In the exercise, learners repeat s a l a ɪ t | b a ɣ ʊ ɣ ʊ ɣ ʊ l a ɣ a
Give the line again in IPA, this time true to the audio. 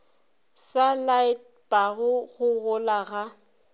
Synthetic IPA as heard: s a l a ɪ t | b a ɣ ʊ ɣ ʊ ɣ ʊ l a ɣ a

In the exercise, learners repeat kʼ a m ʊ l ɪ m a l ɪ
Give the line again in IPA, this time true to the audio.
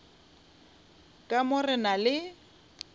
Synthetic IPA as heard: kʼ a m ʊ r ɪ n a l ɪ

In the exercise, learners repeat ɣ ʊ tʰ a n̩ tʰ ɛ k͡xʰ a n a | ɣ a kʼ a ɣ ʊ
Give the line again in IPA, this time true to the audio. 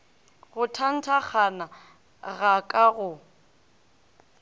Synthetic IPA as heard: ɣ ʊ tʰ a n̩ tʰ a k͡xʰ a n a | ɣ a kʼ a ɣ ʊ

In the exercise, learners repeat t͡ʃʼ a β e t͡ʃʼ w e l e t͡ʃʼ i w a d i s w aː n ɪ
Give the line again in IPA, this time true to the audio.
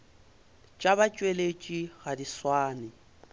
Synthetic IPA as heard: t͡ʃʼ a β a t͡ʃʼ w e l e t͡ʃʼ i ɣ a d i s w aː n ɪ

